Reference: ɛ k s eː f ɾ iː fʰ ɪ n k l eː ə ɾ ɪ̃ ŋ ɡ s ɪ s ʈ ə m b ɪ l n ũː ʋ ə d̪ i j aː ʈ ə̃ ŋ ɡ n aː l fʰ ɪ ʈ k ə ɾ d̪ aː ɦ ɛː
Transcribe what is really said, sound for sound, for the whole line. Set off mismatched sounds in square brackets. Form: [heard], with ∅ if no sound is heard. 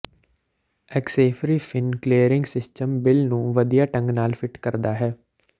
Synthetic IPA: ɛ k s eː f ɾ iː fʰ ɪ n k l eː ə ɾ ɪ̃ ŋ ɡ s ɪ s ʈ ə m b ɪ l n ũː ʋ ə d̪ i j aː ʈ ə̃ ŋ ɡ n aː l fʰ ɪ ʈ k ə ɾ d̪ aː ɦ ɛː